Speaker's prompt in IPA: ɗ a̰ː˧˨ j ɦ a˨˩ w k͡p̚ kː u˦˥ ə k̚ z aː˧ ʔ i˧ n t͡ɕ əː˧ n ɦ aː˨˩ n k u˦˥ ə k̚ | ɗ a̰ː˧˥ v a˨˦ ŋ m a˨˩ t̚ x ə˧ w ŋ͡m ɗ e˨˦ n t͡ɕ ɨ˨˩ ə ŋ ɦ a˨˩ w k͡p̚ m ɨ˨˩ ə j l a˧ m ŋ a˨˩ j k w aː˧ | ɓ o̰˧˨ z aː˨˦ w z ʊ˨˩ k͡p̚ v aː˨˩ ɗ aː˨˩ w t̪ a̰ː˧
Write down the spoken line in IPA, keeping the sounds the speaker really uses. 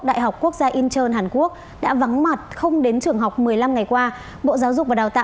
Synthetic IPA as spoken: ɗ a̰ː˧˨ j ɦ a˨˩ w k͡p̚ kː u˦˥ ə k̚ z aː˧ ʔ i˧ n t͡ɕ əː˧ n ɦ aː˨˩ n k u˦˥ ə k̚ | ɗ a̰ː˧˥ v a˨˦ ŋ m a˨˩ t̚ x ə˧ w ŋ͡m ɗ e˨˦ n t͡ɕ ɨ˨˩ ə ŋ ɦ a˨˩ w k͡p̚ m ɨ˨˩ ə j l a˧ m ŋ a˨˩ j k w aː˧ | ɓ o̰˧˨ z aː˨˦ w z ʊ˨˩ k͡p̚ v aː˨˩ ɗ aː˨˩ w t̪ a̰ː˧